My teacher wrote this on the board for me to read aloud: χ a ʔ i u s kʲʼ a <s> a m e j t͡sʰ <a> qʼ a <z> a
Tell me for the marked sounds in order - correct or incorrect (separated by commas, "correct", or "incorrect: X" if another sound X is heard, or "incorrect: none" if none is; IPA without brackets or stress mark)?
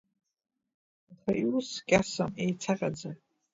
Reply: correct, correct, incorrect: d͡z